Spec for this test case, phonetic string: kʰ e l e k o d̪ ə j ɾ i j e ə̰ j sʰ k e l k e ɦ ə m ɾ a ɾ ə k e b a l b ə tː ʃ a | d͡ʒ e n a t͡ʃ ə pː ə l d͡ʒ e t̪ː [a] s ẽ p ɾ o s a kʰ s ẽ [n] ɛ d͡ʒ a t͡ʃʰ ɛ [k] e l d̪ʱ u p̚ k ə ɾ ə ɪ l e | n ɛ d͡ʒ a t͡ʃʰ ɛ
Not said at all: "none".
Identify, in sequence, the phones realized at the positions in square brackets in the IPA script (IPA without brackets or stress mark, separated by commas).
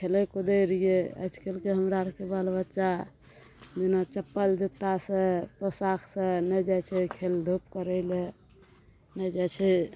a, n, kʰ